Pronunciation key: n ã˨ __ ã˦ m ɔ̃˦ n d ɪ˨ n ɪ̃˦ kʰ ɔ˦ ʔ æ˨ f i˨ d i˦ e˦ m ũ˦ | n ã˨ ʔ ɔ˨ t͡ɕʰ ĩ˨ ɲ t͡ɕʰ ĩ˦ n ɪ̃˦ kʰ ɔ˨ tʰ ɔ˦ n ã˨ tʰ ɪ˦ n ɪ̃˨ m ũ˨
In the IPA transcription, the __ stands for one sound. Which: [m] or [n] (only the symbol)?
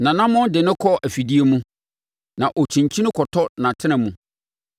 n